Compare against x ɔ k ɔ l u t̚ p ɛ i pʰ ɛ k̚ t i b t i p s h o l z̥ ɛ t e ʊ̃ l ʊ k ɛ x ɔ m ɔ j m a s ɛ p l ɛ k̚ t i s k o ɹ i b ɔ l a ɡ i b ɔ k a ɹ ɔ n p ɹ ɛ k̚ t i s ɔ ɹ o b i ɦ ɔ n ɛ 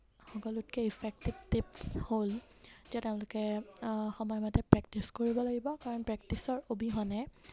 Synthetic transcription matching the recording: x ɔ k ɔ l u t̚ k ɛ i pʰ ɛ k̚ t i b t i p s h o l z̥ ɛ t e ʊ̃ l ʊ k ɛ x ɔ m ɔ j m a t ɛ p ɹ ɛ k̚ t i s k o ɹ i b ɔ l a ɡ i b ɔ k a ɹ ɔ n p ɹ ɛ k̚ t i s ɔ ɹ o b i ɦ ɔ n ɛ